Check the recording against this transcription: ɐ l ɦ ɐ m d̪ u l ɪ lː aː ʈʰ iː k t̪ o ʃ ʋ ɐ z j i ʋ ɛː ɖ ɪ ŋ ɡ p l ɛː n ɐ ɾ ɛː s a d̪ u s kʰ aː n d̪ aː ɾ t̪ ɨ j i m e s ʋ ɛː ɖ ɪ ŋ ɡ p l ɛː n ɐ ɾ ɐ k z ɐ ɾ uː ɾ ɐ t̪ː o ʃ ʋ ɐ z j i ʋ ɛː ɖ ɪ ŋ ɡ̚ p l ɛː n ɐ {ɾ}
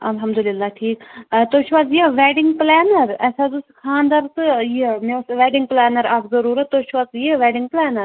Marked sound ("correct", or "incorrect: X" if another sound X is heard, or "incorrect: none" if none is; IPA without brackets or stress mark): correct